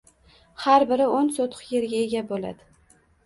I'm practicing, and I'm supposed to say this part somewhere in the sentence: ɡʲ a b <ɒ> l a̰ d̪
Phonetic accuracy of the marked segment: incorrect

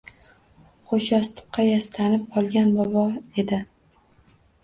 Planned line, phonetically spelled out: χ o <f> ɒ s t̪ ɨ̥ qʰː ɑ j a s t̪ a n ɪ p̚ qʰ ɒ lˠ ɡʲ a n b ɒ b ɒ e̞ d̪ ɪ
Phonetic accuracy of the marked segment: incorrect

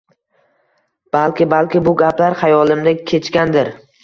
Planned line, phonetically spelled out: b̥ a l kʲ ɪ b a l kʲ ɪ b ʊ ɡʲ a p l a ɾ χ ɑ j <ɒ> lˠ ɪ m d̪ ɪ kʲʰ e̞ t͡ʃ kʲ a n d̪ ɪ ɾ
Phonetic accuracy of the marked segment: correct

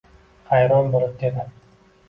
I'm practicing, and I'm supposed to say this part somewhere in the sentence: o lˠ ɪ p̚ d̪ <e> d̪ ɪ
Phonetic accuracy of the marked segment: correct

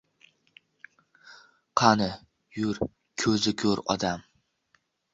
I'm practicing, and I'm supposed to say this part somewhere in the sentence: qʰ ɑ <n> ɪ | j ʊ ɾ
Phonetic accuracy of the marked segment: correct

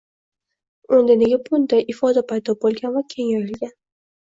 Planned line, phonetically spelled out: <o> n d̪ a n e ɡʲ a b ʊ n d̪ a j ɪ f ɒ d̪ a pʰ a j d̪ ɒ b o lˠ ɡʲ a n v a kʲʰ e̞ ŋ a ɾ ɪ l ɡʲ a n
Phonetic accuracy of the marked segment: correct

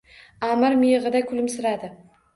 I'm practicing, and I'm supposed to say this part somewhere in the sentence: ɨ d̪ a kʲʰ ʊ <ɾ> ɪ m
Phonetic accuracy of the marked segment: incorrect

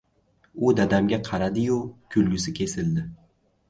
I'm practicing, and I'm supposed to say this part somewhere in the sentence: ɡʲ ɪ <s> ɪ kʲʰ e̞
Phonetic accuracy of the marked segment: correct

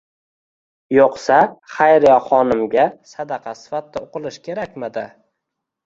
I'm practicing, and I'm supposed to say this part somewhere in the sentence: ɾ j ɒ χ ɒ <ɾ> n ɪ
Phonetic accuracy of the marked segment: incorrect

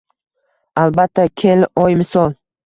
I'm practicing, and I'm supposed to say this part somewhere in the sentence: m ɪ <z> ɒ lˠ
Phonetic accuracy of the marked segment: incorrect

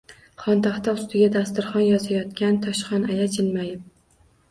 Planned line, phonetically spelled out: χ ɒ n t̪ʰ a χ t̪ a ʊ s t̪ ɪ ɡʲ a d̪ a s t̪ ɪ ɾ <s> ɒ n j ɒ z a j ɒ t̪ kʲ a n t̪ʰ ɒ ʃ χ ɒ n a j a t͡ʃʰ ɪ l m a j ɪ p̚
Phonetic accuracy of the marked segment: incorrect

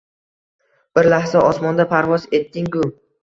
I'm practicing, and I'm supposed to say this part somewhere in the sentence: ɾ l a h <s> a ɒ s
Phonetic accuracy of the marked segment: correct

